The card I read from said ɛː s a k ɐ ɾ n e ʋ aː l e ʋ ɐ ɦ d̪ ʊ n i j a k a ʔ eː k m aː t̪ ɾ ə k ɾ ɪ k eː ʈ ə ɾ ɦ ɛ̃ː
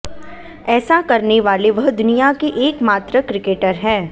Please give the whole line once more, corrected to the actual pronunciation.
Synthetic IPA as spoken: ɛː s a k ɐ ɾ n e ʋ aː l e ʋ ɐ ɦ d̪ ʊ n i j a k e ʔ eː k m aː t̪ ɾ ə k ɾ ɪ k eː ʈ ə ɾ ɦ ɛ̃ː